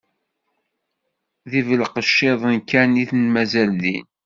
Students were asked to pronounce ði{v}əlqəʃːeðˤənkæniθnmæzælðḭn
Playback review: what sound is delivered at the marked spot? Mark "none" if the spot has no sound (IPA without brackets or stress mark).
v